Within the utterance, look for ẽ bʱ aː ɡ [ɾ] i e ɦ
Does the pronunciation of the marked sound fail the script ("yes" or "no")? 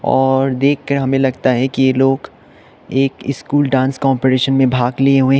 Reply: yes